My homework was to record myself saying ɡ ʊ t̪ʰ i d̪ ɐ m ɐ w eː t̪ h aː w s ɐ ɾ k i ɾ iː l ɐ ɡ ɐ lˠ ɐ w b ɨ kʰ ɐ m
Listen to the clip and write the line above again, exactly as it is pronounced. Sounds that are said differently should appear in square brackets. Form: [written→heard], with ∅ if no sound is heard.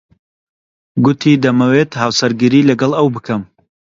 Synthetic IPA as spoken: ɡ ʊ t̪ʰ i d̪ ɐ m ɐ w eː t̪ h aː w s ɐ ɾ [k→ɡ] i ɾ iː l ɐ ɡ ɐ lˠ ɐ w b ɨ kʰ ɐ m